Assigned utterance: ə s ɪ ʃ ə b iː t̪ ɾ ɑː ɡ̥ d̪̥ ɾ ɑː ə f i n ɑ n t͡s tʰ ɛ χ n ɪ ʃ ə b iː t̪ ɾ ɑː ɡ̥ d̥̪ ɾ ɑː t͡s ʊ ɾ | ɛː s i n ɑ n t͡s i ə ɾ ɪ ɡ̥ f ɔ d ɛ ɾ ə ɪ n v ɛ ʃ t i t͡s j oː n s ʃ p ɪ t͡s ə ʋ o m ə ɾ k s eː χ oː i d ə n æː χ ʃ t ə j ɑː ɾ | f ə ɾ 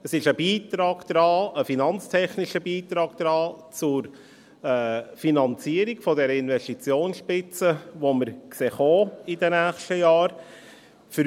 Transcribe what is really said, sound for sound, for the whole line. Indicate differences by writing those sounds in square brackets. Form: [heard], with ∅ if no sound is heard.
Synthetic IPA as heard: ə s ɪ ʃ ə b iː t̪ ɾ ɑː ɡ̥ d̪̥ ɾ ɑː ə f i n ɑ n t͡s tʰ ɛ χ n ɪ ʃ ə b iː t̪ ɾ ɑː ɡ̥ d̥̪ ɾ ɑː t͡s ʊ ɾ | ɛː [f] i n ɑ n t͡s i ə ɾ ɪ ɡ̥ f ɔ d ɛ ɾ ə ɪ n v ɛ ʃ t i t͡s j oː n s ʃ p ɪ t͡s ə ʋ o m ə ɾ k s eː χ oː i d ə n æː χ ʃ t ə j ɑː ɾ | f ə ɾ